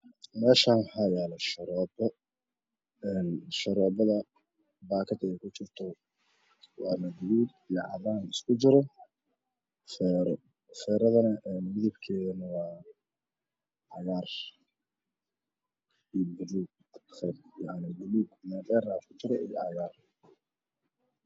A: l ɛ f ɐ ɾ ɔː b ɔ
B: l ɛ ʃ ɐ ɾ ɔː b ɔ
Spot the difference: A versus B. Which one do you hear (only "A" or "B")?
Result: B